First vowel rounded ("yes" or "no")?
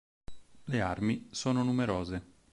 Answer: no